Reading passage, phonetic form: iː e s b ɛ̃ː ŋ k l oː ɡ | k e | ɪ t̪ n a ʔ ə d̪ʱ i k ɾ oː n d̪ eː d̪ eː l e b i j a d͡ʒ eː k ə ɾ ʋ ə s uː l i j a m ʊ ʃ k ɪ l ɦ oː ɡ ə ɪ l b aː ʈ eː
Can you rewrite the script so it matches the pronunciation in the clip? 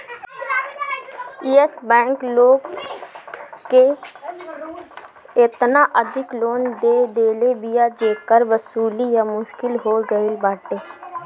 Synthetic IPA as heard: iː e s b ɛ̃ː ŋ k l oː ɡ | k e | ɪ t̪ n a ʔ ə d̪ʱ ɪ k l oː n d̪ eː d̪ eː l e b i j a d͡ʒ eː k ə ɾ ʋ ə s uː l i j a m ʊ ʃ k ɪ l ɦ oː ɡ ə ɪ l b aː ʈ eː